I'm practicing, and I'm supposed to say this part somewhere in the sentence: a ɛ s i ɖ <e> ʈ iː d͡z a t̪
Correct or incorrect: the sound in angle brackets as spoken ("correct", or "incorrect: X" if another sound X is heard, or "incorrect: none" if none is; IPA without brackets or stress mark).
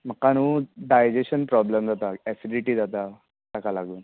incorrect: i